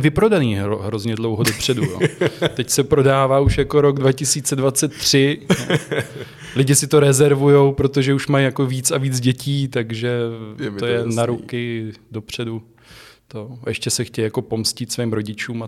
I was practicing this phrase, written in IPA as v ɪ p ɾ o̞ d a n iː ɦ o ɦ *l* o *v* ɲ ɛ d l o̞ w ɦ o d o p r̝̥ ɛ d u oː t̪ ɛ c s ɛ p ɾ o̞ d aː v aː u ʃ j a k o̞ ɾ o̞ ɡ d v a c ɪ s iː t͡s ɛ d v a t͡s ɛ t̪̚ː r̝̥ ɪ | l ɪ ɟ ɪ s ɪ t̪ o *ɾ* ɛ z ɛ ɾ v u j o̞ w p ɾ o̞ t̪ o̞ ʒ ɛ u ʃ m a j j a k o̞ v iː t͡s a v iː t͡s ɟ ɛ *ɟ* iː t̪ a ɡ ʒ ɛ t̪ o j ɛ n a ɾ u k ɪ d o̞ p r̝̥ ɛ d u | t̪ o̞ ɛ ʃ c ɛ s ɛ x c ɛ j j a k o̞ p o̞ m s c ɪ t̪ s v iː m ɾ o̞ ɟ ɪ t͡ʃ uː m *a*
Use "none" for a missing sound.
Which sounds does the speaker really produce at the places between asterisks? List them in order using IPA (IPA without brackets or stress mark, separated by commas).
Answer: ɾ, z, ɾ, c, a